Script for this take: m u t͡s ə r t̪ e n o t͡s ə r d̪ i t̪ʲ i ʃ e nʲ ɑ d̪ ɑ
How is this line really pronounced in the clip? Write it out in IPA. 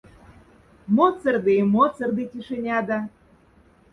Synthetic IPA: m o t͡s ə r d̪ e m o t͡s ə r d̪ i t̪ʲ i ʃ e nʲ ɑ d̪ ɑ

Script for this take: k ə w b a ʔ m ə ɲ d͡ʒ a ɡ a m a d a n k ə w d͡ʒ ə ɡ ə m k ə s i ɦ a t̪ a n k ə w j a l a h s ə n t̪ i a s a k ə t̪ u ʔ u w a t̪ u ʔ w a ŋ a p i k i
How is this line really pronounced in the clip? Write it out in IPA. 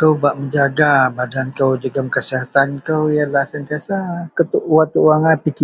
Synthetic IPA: k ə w b a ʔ m ə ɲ d͡ʒ a ɡ a b a d a n k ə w d͡ʒ ə ɡ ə m k ə s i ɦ a t̪ a n k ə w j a l a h s ə n t̪ i a s a k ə t̪ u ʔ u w a t̪ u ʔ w a ŋ a p i k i

